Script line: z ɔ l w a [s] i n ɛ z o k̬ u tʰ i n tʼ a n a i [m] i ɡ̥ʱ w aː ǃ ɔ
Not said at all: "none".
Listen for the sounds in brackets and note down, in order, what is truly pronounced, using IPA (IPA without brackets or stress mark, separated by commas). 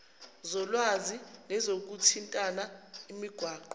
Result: z, m